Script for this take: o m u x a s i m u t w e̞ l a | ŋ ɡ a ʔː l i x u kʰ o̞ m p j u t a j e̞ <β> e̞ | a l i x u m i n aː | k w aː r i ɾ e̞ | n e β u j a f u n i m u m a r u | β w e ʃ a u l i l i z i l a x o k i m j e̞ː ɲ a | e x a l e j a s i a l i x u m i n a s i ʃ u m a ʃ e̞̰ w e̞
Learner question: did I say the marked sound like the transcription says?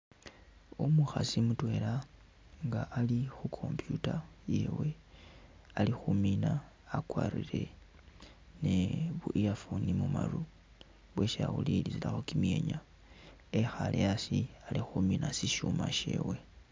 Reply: no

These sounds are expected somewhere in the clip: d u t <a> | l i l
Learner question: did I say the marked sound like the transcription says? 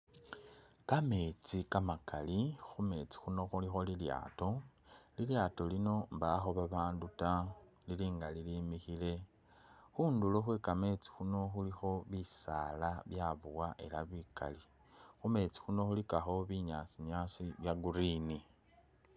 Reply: yes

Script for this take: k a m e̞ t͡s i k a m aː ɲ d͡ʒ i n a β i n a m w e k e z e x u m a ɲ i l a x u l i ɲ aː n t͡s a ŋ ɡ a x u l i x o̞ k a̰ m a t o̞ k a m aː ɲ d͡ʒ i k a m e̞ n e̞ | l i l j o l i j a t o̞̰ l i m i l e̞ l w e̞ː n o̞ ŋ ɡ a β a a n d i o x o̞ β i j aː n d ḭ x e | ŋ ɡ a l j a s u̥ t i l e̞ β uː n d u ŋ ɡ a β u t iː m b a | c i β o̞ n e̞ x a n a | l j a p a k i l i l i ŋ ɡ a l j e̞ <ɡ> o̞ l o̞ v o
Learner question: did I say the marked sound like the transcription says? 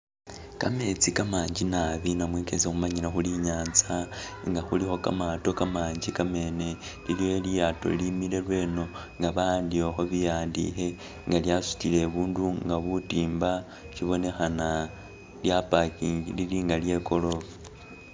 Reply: no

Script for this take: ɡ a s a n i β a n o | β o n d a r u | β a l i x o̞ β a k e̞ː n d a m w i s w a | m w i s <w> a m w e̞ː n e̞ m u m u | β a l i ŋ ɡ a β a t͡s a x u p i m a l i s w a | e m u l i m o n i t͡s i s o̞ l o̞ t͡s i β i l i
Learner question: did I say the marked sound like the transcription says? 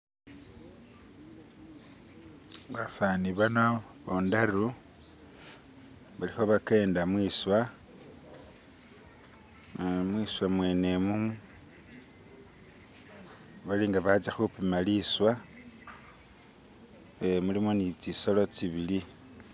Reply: yes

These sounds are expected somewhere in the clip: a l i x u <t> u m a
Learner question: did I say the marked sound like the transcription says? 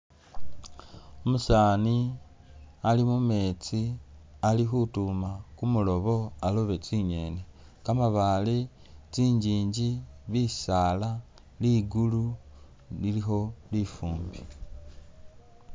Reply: yes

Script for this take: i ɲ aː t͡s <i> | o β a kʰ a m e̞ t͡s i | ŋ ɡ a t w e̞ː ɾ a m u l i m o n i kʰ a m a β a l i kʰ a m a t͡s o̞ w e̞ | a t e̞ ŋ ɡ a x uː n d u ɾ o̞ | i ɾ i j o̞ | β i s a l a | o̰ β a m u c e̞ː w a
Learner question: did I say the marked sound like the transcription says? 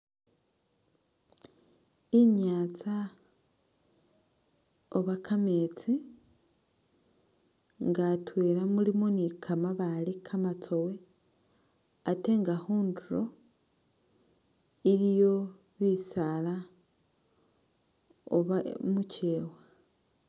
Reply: no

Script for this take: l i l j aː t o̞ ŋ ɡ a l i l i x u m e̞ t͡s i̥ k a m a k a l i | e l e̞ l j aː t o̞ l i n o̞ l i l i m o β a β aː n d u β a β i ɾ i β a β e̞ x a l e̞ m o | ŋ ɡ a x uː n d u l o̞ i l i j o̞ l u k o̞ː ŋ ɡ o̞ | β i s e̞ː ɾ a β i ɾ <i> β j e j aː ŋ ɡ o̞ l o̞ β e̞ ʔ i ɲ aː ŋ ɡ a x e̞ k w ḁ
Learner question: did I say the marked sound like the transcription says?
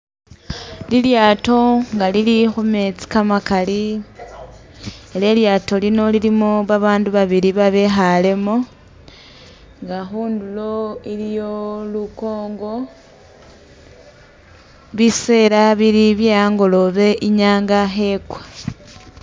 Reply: yes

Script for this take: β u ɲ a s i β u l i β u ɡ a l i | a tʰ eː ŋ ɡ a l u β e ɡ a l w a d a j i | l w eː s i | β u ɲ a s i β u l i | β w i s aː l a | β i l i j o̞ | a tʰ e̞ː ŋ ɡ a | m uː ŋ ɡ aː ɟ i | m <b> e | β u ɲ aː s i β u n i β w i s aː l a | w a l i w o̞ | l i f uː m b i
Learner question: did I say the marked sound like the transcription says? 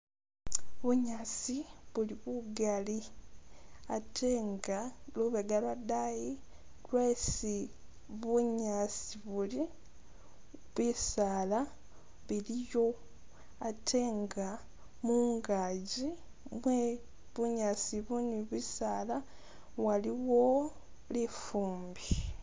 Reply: no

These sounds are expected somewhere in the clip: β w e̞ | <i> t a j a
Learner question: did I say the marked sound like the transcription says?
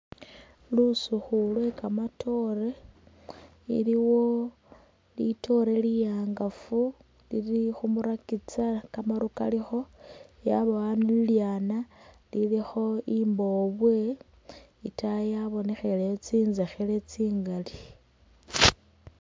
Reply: yes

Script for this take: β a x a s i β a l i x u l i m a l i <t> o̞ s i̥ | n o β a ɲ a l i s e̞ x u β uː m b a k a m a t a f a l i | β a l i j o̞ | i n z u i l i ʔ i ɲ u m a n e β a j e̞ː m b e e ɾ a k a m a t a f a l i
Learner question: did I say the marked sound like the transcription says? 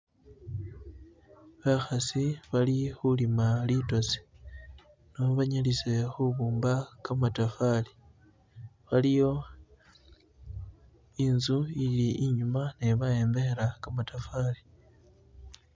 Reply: yes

